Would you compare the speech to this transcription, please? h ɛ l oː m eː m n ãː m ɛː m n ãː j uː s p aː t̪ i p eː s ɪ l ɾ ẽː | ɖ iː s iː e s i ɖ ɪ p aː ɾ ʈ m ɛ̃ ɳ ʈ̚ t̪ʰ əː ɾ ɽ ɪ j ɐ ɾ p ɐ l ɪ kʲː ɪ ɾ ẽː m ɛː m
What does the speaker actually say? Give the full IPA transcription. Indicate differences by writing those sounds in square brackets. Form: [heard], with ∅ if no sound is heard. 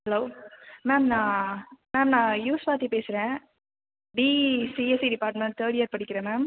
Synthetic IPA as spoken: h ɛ l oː m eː m n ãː m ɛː m n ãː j uː s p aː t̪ i p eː s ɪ [∅] ɾ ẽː | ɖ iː s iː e s i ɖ ɪ p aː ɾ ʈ m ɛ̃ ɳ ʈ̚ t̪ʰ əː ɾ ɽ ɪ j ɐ ɾ p ɐ [ɽ] ɪ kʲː ɪ ɾ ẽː m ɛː m